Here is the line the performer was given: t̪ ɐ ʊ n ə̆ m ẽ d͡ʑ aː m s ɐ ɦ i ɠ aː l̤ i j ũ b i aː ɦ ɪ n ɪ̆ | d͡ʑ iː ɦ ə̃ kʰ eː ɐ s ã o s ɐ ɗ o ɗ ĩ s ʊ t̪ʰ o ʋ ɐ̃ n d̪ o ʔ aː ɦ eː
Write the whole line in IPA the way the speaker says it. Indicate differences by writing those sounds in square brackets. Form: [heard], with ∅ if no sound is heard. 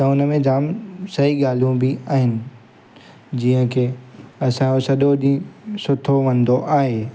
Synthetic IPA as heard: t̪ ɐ ʊ n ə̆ m ẽ d͡ʑ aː m s ɐ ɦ i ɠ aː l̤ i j ũ b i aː ɦ ɪ n ɪ̆ | d͡ʑ iː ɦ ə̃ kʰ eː ɐ s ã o s ɐ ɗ o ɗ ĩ s ʊ t̪ʰ o ʋ ɐ̃ n d̪ o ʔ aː ɦ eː